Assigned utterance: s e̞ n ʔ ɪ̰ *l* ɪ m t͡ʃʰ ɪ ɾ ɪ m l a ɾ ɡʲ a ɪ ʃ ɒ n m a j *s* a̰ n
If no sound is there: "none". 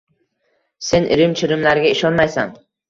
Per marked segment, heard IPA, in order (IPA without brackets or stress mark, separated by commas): ɾ, s